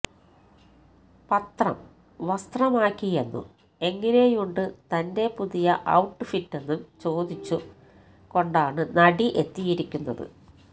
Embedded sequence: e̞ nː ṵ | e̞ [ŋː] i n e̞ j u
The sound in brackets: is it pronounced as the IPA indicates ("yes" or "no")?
yes